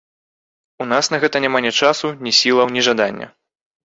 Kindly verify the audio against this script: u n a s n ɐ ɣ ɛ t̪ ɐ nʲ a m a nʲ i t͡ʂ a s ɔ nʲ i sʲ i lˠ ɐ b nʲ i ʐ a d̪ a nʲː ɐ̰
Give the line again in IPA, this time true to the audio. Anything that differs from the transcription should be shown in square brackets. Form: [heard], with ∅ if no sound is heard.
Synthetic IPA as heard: u n a s n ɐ ɣ ɛ t̪ ɐ nʲ a m a nʲ [ɛ] t͡ʂ a s [u] nʲ i sʲ i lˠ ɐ [w] nʲ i ʐ a d̪ a nʲː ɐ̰